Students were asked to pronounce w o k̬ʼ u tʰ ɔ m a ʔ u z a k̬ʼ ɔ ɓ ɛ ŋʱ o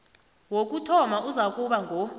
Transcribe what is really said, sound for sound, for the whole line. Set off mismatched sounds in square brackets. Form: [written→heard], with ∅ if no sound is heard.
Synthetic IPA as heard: w o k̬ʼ u tʰ ɔ m a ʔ u z a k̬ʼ [ɔ→u] ɓ [ɛ→a] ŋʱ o